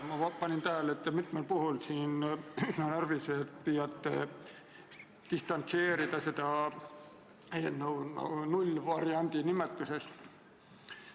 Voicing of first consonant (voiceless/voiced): voiced